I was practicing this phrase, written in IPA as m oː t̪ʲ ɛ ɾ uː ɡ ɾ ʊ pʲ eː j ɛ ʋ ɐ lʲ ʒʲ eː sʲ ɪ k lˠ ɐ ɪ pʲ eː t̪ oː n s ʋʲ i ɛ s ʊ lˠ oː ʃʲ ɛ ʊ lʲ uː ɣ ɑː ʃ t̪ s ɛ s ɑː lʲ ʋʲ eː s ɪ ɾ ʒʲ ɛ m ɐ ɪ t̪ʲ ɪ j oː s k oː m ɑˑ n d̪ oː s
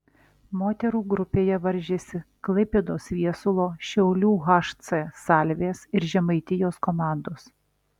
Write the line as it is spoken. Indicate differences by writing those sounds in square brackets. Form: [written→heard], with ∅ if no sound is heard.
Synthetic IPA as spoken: m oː t̪ʲ ɛ ɾ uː ɡ ɾ ʊ pʲ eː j ɛ ʋ ɐ [lʲ→ɾʲ] ʒʲ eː sʲ ɪ k lˠ ɐ ɪ pʲ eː [t̪→d̪] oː [n→∅] s ʋʲ i ɛ s ʊ lˠ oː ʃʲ ɛ ʊ lʲ uː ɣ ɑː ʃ t̪ s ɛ s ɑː lʲ ʋʲ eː s ɪ ɾ ʒʲ ɛ m ɐ ɪ t̪ʲ ɪ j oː s k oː m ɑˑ n d̪ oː s